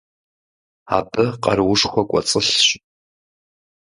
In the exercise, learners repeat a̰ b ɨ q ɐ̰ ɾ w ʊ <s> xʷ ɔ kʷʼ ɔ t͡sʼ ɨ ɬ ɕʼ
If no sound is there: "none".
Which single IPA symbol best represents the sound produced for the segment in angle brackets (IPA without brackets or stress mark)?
ʂ